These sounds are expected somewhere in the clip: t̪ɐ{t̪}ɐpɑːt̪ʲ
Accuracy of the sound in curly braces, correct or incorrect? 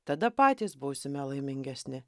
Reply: incorrect